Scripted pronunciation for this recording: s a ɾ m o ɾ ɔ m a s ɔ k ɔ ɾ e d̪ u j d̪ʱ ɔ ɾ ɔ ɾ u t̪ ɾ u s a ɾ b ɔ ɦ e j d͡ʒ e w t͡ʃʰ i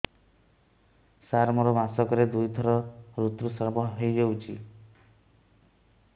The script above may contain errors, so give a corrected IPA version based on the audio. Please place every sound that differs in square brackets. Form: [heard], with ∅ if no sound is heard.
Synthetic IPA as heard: s a ɾ m [ɔ] ɾ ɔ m a s ɔ k ɔ ɾ e d̪ u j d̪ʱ ɔ ɾ ɔ ɾ u t̪ ɾ u s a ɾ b ɔ ɦ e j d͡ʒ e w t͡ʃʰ i

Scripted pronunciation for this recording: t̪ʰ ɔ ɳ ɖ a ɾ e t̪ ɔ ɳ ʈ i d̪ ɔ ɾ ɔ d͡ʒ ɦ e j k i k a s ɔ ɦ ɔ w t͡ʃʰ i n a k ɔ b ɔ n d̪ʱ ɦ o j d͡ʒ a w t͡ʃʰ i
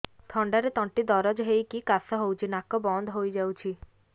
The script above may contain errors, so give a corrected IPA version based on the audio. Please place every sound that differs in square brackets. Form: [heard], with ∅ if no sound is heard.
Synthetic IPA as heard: t̪ʰ ɔ ɳ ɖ a ɾ e t̪ ɔ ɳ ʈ i d̪ ɔ ɾ ɔ d͡ʒ ɦ e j k i k a s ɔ ɦ [o] w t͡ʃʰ i n a k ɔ b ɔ n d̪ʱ ɦ o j d͡ʒ a w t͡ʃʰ i

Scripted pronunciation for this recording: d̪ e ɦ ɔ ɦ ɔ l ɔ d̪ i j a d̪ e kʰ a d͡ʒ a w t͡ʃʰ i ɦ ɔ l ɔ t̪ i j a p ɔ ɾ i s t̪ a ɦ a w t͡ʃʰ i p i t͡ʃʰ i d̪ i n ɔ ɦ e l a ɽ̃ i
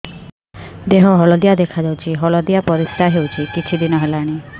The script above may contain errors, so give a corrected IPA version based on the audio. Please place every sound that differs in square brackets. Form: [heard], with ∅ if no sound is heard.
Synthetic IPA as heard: d̪ e ɦ ɔ ɦ ɔ l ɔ d̪ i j a d̪ e kʰ a d͡ʒ a w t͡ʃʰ i ɦ ɔ l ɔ [d̪] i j a p ɔ ɾ i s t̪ a ɦ [e] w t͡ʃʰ i [k] i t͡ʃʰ i d̪ i n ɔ ɦ e l a ɽ̃ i

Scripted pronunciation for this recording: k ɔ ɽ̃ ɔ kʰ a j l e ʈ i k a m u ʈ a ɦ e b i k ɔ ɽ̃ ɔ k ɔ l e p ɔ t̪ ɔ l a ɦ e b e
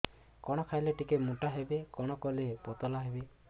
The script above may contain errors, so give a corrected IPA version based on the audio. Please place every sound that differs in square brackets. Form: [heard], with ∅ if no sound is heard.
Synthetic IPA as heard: k ɔ ɽ̃ ɔ kʰ a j l e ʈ i k [e] m u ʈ a ɦ e b [e] k ɔ ɽ̃ ɔ k ɔ l e p ɔ t̪ ɔ l a ɦ e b e

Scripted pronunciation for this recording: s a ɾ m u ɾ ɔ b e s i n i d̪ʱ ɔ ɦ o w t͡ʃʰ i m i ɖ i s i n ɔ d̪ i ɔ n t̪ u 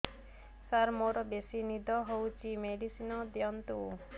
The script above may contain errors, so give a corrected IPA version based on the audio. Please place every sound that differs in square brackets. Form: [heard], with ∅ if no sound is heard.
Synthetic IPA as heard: s a ɾ m [o] ɾ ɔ b e s i n i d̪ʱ ɔ ɦ o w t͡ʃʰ i m [e] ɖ i s i n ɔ d̪ [j] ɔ n t̪ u

